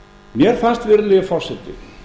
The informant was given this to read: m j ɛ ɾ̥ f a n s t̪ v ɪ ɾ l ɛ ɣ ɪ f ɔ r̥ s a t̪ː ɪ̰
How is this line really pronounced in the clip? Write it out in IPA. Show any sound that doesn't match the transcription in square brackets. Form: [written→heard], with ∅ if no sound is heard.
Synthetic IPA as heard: m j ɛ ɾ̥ f a n s t̪ v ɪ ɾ l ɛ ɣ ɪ f ɔ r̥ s [a→ɛ] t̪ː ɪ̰